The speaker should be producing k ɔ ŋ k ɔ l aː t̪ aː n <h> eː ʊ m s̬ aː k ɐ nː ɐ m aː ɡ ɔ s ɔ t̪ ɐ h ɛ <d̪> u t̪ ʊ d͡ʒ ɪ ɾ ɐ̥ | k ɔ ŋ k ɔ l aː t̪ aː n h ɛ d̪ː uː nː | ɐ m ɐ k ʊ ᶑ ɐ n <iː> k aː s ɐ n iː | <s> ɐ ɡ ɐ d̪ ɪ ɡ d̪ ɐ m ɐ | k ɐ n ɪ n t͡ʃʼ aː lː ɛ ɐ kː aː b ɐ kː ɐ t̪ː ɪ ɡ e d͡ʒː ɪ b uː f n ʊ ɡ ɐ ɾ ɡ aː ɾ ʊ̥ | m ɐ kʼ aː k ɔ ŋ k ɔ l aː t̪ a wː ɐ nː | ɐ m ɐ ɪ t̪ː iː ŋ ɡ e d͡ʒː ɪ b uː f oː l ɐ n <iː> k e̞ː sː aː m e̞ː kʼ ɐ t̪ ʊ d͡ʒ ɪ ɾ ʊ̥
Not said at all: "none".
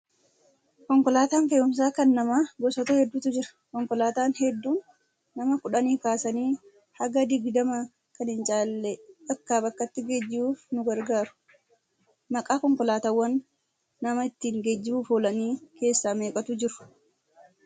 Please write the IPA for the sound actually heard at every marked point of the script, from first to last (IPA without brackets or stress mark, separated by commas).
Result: f, d̪ː, iː, h, iː